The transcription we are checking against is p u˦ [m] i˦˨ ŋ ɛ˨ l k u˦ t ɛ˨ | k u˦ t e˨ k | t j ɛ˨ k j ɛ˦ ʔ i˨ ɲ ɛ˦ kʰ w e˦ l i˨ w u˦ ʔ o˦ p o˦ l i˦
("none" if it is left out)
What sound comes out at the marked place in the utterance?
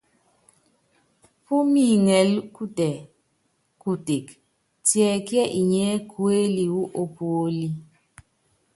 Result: m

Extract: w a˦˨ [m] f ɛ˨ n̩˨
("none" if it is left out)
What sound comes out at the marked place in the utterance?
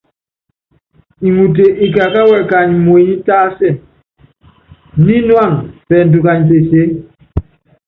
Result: ŋ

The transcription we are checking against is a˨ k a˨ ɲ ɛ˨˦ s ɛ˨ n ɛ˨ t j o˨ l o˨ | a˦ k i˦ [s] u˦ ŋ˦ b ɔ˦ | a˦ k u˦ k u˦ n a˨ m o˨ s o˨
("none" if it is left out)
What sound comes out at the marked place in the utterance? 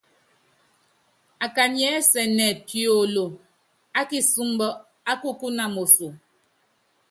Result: s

